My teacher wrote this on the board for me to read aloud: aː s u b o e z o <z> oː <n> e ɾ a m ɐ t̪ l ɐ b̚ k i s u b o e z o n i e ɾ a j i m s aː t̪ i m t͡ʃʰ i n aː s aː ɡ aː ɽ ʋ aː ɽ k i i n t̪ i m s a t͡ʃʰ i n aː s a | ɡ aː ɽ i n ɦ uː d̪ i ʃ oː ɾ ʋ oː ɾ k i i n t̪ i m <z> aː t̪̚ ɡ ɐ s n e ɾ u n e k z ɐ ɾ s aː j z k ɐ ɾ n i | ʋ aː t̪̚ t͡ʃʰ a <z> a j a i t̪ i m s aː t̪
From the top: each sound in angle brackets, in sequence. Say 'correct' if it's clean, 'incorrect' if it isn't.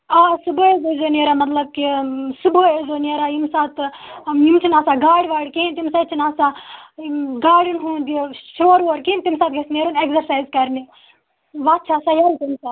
correct, correct, incorrect: s, incorrect: s

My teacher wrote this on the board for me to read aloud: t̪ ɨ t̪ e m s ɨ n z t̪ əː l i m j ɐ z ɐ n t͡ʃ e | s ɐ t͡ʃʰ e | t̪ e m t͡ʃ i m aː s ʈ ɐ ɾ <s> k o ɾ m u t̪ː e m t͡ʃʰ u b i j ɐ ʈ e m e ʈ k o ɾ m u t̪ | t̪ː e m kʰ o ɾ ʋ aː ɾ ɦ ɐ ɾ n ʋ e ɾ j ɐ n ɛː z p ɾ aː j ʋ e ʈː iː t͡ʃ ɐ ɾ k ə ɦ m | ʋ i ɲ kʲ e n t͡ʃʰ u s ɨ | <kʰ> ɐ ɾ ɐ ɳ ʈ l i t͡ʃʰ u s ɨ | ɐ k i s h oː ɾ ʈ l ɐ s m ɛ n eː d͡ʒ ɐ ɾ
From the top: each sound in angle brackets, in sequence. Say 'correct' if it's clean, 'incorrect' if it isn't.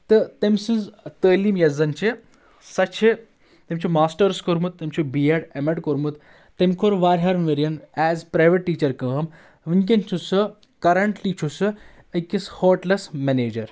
correct, incorrect: k

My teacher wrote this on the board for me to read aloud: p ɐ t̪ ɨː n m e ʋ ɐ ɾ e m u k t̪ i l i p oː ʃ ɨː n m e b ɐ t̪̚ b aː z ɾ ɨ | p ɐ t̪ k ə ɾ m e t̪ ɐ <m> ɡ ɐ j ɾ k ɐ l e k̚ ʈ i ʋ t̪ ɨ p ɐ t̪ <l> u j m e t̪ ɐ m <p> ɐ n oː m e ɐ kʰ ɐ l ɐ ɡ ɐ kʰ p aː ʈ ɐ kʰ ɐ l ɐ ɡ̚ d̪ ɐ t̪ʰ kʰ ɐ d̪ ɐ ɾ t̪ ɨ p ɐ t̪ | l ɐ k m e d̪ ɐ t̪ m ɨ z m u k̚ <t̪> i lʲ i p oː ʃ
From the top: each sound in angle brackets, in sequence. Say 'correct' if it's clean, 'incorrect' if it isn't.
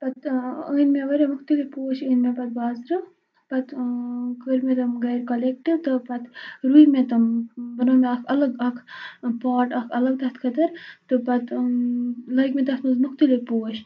correct, incorrect: ɾ, incorrect: b, correct

